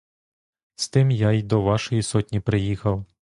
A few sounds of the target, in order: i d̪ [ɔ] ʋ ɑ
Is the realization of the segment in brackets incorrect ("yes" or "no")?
no